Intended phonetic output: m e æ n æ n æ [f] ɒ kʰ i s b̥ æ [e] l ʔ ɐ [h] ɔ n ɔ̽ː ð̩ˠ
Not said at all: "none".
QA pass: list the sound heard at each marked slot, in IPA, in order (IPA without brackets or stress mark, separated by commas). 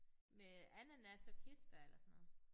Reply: s, e, s